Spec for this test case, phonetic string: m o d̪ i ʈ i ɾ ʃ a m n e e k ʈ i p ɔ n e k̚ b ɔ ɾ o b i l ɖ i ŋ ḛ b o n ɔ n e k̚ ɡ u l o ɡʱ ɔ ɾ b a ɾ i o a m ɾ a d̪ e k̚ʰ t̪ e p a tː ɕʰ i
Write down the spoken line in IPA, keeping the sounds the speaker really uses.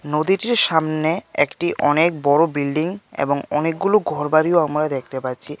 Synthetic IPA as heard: n o d̪ i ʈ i ɾ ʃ a m n e e k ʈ i ʔ ɔ n e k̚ b ɔ ɾ o b i l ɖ i ŋ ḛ b o ŋ ɔ n e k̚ ɡ u l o ɡʱ ɔ ɾ b a ɾ i o a m ɾ a d̪ e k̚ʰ t̪ e p a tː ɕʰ i